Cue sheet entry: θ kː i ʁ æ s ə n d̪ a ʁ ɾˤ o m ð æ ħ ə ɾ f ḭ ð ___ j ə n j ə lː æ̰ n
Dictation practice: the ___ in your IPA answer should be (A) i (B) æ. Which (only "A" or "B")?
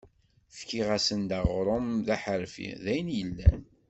B